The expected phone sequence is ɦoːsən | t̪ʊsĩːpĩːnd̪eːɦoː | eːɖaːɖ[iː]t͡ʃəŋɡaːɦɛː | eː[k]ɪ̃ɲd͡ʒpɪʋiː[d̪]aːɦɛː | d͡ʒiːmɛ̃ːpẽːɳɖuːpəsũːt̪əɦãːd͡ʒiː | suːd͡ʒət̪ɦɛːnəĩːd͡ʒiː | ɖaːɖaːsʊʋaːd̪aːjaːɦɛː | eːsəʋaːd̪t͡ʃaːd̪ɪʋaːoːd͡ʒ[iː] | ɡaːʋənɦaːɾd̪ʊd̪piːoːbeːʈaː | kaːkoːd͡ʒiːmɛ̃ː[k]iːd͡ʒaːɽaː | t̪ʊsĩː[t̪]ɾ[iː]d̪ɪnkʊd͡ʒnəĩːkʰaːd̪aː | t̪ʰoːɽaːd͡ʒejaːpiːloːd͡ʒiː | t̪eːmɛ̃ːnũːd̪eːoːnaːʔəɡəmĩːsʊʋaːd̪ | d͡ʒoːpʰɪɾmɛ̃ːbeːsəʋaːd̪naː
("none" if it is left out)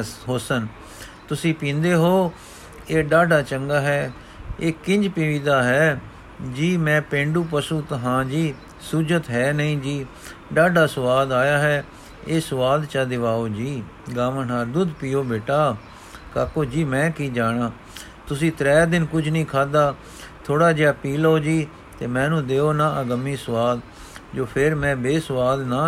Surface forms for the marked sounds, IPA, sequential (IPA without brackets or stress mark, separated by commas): aː, k, d̪, iː, k, t̪, ɛː